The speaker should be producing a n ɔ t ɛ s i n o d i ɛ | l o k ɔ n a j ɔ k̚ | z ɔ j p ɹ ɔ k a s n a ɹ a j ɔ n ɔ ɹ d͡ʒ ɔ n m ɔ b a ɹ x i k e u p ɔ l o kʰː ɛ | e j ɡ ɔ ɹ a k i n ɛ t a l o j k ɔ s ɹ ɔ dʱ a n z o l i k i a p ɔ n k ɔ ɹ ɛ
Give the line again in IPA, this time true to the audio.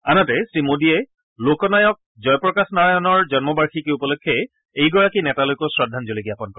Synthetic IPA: a n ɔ t ɛ s i m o d i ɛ | l o k ɔ n a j ɔ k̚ | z ɔ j p ɹ ɔ k a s n a ɹ a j ɔ n ɔ ɹ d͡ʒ ɔ n m ɔ b a ɹ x i k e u p ɔ l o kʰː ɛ | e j ɡ ɔ ɹ a k i n ɛ t a l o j k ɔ s ɹ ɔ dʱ a n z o l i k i a p ɔ n k ɔ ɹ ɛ